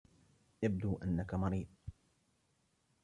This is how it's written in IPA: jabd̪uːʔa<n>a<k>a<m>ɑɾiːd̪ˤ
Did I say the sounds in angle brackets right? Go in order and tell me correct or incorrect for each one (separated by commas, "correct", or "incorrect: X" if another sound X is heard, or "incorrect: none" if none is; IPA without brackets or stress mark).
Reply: incorrect: nː, correct, correct